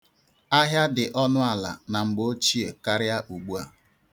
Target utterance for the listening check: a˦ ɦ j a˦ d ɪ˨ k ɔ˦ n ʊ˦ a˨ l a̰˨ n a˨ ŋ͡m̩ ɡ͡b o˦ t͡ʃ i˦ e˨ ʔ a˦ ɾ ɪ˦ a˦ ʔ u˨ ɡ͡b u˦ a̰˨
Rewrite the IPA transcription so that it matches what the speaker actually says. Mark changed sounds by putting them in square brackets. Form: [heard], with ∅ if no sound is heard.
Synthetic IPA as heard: a˦ ɦ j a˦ d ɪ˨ [ʔ] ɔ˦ n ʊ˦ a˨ l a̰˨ n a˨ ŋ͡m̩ ɡ͡b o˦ t͡ʃ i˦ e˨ [k] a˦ ɾ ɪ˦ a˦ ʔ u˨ ɡ͡b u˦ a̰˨

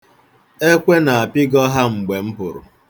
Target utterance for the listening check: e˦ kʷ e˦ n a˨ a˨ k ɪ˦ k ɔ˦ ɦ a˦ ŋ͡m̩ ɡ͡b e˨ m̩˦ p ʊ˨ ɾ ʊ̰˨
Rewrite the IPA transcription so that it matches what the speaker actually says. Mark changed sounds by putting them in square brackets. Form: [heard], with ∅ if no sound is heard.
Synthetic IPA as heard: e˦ kʷ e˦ n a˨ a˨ [p] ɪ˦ [ɡ] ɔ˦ ɦ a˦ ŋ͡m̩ ɡ͡b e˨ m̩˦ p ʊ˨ ɾ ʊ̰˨

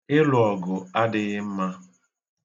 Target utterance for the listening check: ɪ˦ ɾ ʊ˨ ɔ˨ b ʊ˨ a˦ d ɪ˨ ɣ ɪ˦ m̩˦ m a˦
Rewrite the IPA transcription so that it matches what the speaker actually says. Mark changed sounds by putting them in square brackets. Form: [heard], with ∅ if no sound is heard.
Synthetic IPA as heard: ɪ˦ [l] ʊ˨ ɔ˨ [ɡ] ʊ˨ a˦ d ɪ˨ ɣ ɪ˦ m̩˦ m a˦

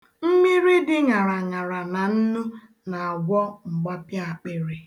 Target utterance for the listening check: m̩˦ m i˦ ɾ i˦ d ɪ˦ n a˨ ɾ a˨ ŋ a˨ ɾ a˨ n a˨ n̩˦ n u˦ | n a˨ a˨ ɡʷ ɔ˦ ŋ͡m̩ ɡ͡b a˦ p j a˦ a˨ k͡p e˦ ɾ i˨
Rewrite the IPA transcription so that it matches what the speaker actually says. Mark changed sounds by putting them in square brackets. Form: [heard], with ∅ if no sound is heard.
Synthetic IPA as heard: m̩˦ m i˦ ɾ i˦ d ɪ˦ [ŋ] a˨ ɾ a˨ ŋ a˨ ɾ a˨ n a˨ n̩˦ n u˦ | n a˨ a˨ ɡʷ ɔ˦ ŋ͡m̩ ɡ͡b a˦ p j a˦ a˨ k͡p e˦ ɾ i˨

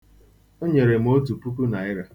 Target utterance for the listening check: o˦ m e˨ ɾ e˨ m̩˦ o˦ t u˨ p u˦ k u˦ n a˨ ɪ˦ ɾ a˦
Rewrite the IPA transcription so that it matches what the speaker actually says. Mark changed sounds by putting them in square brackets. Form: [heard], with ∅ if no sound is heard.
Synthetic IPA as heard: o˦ [ɲ] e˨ ɾ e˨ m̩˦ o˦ t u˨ p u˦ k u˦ n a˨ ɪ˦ ɾ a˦

